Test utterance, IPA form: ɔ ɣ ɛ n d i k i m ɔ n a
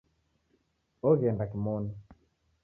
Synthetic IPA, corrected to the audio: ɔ ɣ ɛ n d a k i m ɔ n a